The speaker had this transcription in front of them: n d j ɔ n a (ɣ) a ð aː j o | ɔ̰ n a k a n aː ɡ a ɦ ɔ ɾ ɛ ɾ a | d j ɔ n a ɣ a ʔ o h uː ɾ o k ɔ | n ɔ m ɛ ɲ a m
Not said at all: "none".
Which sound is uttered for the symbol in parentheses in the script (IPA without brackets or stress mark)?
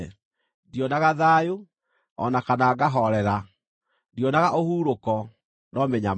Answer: ɣ